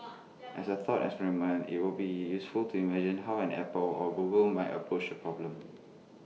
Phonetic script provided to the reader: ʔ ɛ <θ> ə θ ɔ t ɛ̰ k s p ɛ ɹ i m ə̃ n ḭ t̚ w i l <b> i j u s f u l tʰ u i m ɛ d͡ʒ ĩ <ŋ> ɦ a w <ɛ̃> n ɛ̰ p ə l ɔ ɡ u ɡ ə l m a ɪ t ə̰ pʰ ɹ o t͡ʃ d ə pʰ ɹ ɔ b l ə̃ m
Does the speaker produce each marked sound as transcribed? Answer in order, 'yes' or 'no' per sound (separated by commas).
no, yes, no, yes